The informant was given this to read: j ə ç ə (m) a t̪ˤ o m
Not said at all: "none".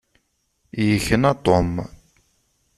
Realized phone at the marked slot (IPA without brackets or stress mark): n